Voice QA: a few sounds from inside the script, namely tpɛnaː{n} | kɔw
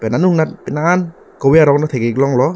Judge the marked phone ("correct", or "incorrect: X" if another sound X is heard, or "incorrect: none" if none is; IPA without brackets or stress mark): correct